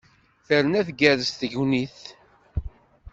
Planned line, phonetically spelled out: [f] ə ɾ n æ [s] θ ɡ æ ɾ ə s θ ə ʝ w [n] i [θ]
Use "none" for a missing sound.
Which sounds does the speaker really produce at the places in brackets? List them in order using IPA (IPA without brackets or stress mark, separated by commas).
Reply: θ, none, n, θ